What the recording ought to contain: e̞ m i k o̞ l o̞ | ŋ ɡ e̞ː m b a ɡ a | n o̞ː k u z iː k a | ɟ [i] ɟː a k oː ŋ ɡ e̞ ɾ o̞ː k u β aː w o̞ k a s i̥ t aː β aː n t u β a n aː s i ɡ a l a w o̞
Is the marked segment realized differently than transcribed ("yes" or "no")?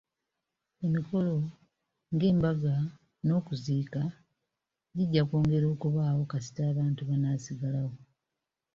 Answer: no